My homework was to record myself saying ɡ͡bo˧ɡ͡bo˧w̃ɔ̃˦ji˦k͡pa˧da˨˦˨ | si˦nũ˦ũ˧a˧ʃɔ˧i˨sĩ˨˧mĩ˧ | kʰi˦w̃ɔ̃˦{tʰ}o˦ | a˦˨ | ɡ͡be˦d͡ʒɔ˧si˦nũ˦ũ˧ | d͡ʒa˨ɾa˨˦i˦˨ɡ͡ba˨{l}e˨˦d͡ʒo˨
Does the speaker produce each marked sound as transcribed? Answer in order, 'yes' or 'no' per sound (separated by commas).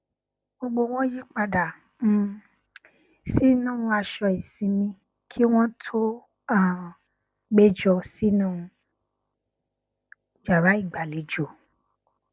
yes, yes